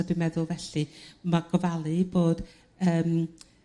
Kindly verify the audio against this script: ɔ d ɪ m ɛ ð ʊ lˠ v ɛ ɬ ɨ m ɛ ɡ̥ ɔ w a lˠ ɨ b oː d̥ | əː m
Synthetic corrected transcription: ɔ d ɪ m ɛ ð ʊ lˠ v ɛ ɬ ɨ m a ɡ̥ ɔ v a lˠ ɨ b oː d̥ | əː m

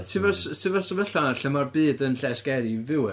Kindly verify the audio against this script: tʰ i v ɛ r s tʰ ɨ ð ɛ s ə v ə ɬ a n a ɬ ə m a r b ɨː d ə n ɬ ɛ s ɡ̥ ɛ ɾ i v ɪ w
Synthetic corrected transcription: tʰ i v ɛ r s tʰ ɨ v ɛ s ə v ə ɬ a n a ɬ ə m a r b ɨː d ə n ɬ ɛ s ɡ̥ ɛ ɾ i v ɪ w

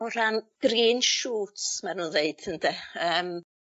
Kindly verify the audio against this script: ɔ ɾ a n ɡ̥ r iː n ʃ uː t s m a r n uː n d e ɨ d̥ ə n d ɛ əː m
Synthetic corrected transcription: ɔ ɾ a n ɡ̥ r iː n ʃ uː t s m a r n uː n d e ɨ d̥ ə n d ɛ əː m

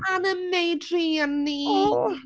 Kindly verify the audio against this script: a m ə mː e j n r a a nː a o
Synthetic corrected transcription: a n ə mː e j d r i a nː i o

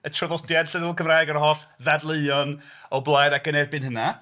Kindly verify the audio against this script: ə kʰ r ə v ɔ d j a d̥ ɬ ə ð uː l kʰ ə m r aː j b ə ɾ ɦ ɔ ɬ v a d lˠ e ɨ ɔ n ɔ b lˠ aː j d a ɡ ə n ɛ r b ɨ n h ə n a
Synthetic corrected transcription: ə tʰ r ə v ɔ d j a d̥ ɬ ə ð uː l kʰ ə m r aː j ɡ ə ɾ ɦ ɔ ɬ ð a d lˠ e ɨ ɔ n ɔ b lˠ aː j d a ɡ ə n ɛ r b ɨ n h ə n a

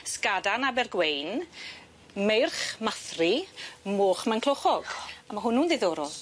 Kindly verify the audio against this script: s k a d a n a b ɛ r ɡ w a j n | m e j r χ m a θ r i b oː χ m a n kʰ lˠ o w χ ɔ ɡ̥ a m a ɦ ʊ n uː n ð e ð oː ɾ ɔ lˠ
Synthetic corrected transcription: s k a d a n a b ɛ r ɡ w e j n | m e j r χ m a θ r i m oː χ m a n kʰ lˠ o χ ɔ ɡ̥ a m a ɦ ʊ n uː n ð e ð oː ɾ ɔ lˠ

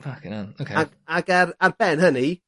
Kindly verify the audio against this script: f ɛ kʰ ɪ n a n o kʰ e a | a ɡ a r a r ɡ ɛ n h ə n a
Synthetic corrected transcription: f a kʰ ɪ n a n o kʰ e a | a ɡ a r a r b ɛ n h ə n i

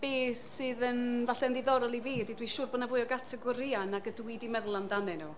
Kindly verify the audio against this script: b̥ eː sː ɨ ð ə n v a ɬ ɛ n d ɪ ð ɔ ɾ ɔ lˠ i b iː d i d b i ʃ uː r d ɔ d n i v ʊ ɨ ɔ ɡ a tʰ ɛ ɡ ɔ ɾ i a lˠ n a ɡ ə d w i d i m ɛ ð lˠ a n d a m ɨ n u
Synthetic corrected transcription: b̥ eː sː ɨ ð ə n v a ɬ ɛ n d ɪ ð ɔ ɾ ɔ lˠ i v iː d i d w i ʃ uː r b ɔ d n a v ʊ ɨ ɔ ɡ a tʰ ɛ ɡ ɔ ɾ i a n a ɡ ə d w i d i m ɛ ð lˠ a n d a m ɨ n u

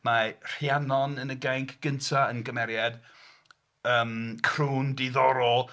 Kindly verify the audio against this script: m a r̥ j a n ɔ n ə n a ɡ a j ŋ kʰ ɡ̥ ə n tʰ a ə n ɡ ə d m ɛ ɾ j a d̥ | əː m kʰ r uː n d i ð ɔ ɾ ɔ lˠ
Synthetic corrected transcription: m a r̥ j a n ɔ n ə n ə ɡ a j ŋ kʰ ɡ̥ ə n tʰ a ə n ɡ ə m ɛ ɾ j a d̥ | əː m kʰ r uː n d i ð ɔ ɾ ɔ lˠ

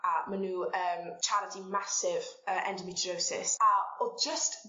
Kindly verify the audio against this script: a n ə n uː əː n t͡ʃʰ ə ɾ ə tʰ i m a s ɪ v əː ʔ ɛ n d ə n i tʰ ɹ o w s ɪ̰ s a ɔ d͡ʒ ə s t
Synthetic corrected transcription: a m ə n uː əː m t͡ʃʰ a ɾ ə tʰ i m a s ɪ v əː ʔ ɛ n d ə m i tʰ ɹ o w s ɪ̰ s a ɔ d͡ʒ ə s t

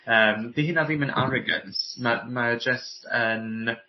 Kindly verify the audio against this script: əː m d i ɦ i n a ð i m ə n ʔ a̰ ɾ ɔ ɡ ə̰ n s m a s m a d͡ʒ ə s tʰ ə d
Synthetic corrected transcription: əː m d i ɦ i n a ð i m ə n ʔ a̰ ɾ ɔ ɡ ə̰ n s m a m a d͡ʒ ə s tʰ ə n

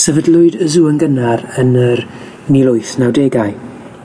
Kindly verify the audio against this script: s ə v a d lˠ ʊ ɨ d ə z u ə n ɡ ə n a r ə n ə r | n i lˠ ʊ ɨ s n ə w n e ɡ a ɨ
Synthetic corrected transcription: s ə v ə d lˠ ʊ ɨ d ə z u ə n ɡ ə n a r ə n ə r | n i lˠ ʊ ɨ θ n a w d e ɡ a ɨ

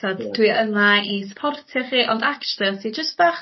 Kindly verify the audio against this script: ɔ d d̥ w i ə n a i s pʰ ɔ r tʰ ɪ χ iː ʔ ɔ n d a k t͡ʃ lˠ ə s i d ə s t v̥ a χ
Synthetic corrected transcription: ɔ d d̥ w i ə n a i s pʰ ɔ r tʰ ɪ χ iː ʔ ɔ n d a k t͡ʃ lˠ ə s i d͡ʒ ə s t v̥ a χ

